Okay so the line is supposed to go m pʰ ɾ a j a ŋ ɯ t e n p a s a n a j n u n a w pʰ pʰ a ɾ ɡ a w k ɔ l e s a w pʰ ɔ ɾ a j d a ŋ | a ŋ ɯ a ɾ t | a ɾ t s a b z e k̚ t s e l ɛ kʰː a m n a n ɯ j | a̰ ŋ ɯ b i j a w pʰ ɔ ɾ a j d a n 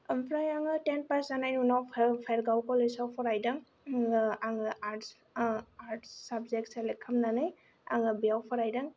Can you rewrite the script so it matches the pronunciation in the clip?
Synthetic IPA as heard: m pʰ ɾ a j a ŋ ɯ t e n p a s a n a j n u n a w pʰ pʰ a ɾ ɡ a w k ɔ l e s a w pʰ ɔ ɾ a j d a ŋ | a ŋ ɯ a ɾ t | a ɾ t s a b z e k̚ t s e l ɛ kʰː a m n a n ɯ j | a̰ ŋ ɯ b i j a w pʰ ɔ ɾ a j d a ŋ